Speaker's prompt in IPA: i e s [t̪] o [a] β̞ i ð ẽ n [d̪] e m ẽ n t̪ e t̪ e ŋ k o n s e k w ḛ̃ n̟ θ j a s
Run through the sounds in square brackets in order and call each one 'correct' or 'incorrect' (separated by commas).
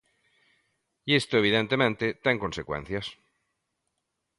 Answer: correct, incorrect, incorrect